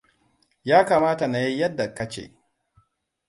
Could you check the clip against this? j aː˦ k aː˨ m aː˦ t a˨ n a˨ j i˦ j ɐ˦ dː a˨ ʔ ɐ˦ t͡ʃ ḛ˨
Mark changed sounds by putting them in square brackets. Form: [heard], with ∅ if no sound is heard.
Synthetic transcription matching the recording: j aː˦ k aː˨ m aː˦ t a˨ n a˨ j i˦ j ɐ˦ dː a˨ [k] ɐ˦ t͡ʃ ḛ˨